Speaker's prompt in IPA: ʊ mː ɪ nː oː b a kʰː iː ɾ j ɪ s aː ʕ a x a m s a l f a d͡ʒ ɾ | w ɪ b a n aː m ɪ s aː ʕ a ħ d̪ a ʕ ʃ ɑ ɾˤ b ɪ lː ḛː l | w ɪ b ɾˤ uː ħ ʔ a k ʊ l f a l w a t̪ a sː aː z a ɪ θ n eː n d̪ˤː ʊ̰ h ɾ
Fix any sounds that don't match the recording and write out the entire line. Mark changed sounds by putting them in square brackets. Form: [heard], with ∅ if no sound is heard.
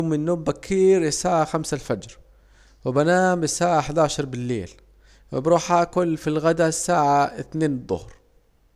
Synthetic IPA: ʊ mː ɪ nː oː b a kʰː iː ɾ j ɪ s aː ʕ a x a m s a l f a d͡ʒ ɾ | w ɪ b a n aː m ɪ s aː ʕ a ħ d̪ a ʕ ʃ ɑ ɾˤ b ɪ lː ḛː l | w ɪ b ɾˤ uː ħ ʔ a k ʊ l f [i] l [ɣ] a [d̪] a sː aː [ʕ] a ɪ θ n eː n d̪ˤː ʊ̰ h ɾ

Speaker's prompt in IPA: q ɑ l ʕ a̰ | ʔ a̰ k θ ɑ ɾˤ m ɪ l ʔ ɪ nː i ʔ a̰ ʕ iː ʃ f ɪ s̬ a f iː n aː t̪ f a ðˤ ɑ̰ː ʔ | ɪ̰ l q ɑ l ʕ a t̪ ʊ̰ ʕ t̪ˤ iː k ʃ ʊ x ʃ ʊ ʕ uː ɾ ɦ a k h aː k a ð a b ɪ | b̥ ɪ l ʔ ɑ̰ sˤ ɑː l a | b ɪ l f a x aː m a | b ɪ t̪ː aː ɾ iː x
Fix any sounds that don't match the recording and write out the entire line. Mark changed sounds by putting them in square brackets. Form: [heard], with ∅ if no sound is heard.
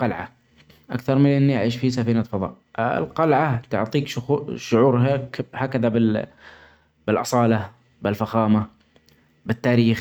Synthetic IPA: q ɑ l ʕ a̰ | ʔ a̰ k θ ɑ ɾˤ m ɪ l ʔ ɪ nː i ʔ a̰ ʕ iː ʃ f [i] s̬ a f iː n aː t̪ f [ɑ] ðˤ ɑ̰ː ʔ | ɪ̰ l q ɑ l ʕ a t̪ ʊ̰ ʕ t̪ˤ iː k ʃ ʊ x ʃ ʊ ʕ uː ɾ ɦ a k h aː k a ð a b ɪ | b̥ ɪ l ʔ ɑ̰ sˤ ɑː l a | b ɪ l f a x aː m a | b ɪ t̪ː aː ɾ iː x

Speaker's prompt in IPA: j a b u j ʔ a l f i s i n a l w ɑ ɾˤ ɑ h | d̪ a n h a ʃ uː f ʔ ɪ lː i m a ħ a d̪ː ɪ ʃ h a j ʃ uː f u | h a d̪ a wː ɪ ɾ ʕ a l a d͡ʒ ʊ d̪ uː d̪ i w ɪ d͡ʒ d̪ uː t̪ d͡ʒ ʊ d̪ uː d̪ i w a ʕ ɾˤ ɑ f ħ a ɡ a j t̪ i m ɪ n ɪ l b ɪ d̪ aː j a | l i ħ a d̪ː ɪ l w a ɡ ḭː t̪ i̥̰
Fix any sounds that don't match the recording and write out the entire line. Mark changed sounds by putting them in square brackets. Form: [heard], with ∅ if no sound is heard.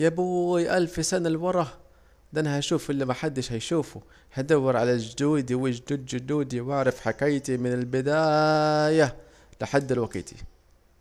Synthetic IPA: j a b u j ʔ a l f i s [a] n a l w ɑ ɾˤ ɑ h | d̪ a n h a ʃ uː f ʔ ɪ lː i m a ħ a d̪ː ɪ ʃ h a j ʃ uː f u | h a d̪ a wː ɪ ɾ ʕ a l a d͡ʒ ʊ d̪ uː d̪ i w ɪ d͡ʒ d̪ uː [d̪] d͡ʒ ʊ d̪ uː d̪ i w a ʕ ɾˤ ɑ f ħ a [k] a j t̪ i m ɪ n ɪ l b ɪ d̪ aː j a | l [ɪ] ħ a d̪ː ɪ l w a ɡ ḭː t̪ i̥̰

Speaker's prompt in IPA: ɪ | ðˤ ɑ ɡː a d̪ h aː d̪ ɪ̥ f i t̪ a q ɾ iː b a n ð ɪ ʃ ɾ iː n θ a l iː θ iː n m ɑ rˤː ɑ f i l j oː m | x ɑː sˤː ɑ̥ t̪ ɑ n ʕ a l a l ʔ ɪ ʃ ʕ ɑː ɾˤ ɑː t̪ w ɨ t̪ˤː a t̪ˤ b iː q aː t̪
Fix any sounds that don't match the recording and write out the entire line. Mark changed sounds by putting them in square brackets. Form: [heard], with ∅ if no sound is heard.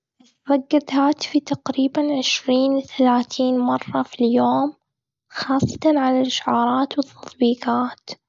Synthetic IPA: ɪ | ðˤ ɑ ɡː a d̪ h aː [t̪] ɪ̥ f i t̪ a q ɾ iː b a n [ʕ] ɪ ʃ ɾ iː n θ a l [aː] θ iː n m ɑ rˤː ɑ f i l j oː m | x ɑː sˤː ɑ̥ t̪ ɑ n ʕ a l a l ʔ ɪ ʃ ʕ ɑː ɾˤ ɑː t̪ w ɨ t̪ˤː [ɑ] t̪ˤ b iː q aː t̪

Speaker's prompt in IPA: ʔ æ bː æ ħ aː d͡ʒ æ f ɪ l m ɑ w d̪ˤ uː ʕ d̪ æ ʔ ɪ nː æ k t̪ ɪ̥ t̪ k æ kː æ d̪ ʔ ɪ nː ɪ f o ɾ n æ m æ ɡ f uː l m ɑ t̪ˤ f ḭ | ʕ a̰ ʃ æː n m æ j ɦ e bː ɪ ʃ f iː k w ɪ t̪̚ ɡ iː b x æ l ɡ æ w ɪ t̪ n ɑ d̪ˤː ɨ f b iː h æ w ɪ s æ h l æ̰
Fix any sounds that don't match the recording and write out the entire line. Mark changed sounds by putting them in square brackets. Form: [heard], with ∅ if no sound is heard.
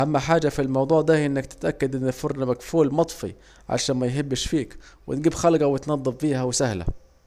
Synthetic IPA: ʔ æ [mː] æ ħ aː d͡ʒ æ f [i] l m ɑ w d̪ˤ uː ʕ d̪ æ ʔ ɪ nː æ k t̪ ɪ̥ t̪ [ʔ] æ kː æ d̪ ʔ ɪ nː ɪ f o ɾ n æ m æ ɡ f uː l m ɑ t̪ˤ f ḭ | ʕ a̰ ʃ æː n m æ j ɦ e bː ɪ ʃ f iː k w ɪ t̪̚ ɡ iː b x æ l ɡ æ w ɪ t̪ n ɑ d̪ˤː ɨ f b iː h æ w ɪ s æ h l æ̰

